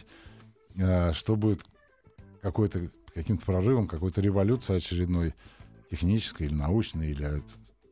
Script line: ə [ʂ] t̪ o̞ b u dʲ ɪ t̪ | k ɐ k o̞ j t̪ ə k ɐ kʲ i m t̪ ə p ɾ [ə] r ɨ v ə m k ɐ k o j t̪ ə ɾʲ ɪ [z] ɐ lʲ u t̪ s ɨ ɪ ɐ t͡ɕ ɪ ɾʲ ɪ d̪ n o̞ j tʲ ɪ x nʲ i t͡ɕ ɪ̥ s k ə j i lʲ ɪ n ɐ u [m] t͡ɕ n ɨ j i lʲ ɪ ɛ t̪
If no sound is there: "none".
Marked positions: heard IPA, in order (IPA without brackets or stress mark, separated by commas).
ʂ, ɐ, v, none